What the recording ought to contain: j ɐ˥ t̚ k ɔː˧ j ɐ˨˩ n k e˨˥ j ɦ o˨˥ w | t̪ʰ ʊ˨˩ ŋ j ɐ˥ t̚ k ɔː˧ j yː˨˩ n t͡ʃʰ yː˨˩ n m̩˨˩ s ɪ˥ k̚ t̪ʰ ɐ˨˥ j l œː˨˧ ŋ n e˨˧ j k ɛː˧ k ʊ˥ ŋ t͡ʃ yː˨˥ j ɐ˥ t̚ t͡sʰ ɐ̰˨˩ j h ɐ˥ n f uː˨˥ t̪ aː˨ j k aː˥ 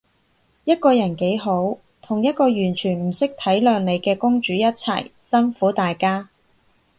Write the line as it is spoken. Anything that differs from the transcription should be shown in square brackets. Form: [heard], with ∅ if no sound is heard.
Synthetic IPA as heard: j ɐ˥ t̚ k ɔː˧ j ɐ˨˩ n k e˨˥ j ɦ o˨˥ w | t̪ʰ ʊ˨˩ ŋ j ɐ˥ t̚ k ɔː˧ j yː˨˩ n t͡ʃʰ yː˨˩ n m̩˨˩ s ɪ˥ k̚ t̪ʰ ɐ˨˥ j l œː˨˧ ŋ n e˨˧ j k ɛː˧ k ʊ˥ ŋ t͡ʃ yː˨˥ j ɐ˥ t̚ t͡sʰ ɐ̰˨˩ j [s] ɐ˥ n f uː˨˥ t̪ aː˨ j k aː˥